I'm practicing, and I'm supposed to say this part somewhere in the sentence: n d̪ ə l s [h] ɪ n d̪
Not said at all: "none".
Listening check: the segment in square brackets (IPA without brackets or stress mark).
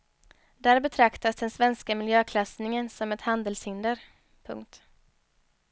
h